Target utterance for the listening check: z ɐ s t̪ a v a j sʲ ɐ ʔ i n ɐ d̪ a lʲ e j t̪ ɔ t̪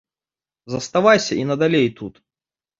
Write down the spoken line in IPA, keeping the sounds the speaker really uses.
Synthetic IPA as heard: z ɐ s t̪ a v a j sʲ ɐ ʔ i n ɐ d̪ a lʲ e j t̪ u t̪